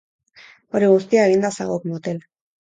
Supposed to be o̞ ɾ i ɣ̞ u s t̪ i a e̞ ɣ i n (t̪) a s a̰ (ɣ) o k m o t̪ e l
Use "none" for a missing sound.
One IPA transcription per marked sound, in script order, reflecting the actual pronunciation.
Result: d̪, ɣ

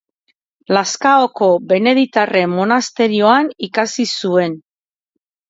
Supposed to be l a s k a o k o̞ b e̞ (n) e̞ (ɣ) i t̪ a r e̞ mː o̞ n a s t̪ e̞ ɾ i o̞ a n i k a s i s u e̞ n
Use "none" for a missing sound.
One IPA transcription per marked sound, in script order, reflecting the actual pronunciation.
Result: n, ð

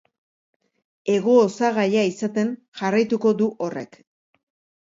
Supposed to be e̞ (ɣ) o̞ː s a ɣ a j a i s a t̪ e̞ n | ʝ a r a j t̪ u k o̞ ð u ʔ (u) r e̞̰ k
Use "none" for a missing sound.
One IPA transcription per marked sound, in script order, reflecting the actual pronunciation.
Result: ɣ, o

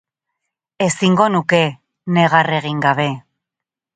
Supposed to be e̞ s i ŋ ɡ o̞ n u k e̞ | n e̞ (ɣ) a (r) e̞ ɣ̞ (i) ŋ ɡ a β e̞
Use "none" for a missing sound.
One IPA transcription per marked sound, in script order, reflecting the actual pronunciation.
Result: ɣ, r, i

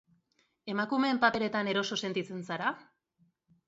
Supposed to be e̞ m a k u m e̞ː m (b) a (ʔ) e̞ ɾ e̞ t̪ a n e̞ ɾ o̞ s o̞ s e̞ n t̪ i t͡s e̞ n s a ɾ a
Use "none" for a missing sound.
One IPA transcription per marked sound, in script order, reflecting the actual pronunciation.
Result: p, p

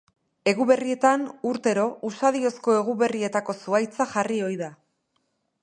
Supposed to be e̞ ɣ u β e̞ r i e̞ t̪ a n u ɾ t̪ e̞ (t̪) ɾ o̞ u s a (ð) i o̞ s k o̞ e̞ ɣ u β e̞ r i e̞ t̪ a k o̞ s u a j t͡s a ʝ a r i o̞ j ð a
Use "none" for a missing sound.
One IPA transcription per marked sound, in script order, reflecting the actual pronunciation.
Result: none, ð

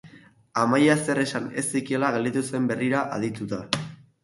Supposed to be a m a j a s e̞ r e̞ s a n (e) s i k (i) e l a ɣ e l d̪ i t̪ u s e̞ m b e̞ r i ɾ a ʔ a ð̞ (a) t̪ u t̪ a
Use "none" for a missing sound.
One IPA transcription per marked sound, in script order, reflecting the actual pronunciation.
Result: e, i, i

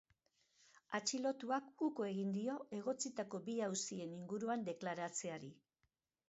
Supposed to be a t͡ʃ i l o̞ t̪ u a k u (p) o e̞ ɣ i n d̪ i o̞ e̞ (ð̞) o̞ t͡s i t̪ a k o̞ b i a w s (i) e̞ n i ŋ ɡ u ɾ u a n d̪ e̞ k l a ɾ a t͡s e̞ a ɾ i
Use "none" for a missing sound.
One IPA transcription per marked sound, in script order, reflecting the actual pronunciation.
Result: k, ɣ̞, i

